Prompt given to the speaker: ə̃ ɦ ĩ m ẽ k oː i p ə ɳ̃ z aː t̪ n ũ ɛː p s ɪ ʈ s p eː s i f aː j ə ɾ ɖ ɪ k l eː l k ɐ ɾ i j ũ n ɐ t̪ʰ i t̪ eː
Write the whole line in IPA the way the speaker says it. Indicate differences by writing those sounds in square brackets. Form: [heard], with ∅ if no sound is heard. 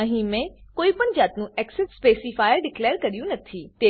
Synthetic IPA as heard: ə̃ ɦ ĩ m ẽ k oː i p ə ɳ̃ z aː t̪ n ũ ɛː [k] s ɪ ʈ s p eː s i f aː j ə ɾ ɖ ɪ k l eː [ɾ] k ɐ ɾ i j ũ n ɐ t̪ʰ i t̪ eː